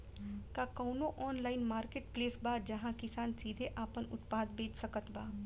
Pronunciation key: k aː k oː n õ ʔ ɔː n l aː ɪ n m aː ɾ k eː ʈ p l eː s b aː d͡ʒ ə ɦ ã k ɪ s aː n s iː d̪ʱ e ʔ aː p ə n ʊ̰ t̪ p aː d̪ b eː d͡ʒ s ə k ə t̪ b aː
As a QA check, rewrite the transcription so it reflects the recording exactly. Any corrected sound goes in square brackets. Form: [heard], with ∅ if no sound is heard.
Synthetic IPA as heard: k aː k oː n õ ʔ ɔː n l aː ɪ n m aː ɾ k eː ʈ p l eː s b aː d͡ʒ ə ɦ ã k ɪ s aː n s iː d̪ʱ e ʔ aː p ə n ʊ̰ t̪ p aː d̪ b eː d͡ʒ s ə k ə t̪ b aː